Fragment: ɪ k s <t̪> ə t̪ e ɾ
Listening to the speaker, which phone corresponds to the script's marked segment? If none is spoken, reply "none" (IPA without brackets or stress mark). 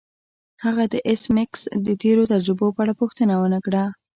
d̪